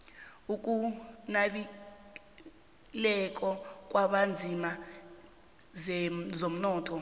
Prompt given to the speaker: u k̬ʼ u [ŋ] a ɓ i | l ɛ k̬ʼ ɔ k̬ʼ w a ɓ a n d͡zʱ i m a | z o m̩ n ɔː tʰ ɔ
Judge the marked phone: incorrect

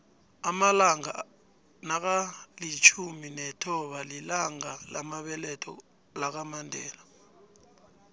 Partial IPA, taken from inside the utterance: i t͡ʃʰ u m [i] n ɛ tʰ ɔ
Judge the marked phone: correct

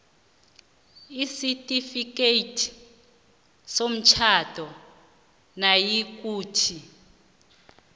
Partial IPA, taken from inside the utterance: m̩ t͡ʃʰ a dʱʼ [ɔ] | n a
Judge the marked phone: correct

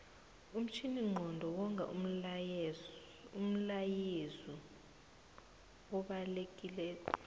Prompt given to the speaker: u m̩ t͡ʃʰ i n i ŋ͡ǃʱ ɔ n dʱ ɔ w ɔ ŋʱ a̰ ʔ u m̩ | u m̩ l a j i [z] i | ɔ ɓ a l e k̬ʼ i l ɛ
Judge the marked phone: correct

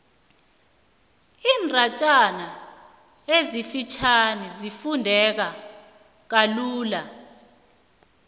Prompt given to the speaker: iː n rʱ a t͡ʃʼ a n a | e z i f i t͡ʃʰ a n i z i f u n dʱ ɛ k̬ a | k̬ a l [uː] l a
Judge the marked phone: correct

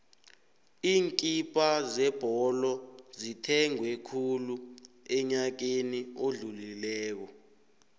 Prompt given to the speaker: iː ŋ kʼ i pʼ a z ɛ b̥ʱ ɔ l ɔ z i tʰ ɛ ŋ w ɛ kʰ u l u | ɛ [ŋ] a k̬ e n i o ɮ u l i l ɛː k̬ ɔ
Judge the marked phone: incorrect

